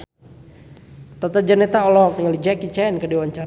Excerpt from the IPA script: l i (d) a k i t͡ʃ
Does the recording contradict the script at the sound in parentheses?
yes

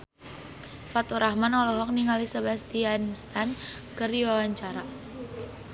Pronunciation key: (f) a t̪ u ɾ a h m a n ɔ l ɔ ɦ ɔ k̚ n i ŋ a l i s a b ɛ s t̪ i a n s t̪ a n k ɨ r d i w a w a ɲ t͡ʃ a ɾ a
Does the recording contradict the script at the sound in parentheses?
no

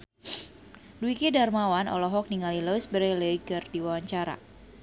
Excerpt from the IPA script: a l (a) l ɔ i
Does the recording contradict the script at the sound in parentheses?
yes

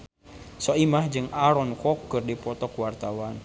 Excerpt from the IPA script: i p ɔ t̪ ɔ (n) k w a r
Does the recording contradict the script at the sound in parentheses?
yes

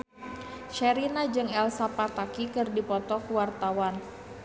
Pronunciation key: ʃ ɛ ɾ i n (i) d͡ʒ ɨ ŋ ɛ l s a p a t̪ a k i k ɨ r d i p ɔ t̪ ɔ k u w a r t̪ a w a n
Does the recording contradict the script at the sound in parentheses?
yes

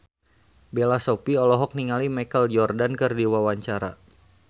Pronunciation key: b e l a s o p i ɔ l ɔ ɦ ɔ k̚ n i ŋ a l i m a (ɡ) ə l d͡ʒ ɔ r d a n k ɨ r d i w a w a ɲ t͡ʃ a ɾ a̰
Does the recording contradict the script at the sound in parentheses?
yes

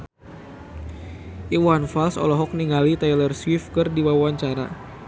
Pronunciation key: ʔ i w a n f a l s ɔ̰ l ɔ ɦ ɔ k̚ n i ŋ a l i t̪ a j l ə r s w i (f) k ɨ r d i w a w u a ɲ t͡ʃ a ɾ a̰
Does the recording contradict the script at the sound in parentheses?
no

